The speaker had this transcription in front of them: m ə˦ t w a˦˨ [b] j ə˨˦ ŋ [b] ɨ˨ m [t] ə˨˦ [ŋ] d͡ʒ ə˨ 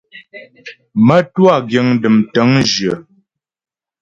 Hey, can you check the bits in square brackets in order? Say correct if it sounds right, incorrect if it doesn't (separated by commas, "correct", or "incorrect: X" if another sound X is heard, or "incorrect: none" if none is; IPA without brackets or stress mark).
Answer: incorrect: ɡ, incorrect: d, correct, correct